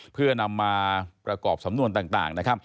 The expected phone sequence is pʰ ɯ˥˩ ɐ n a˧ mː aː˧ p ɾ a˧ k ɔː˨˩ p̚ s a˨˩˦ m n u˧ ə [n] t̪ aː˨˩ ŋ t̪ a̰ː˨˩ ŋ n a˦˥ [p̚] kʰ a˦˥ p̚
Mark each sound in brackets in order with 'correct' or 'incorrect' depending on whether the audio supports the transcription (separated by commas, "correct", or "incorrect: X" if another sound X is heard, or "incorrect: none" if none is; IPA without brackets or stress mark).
correct, incorrect: none